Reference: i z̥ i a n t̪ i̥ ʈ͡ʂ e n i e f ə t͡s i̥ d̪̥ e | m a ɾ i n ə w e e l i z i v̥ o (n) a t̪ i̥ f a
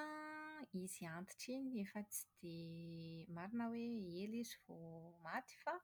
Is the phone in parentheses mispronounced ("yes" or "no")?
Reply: yes